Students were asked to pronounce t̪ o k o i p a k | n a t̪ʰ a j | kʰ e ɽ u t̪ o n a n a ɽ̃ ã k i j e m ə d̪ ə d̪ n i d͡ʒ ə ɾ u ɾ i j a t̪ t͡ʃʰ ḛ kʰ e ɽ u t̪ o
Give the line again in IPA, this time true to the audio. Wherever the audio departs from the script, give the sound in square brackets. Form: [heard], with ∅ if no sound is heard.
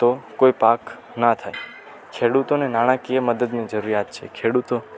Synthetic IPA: t̪ o k o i p a k | n a t̪ʰ a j | kʰ e ɽ u t̪ o n [e] n a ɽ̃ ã k i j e m ə d̪ ə d̪ n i d͡ʒ ə ɾ u ɾ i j a t̪ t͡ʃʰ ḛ kʰ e ɽ u t̪ o